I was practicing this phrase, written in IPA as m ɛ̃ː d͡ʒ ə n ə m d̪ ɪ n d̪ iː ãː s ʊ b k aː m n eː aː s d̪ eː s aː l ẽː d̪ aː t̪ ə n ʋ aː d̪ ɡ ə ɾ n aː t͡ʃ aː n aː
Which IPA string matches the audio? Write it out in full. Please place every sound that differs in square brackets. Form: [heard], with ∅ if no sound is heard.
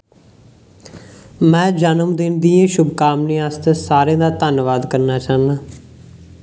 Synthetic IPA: m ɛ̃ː d͡ʒ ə n ə m d̪ ɪ n d̪ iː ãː [ʃ] ʊ b k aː m n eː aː s [t̪] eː s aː [ɾ] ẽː d̪ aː t̪ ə n ʋ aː d̪ [k] ə ɾ n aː t͡ʃ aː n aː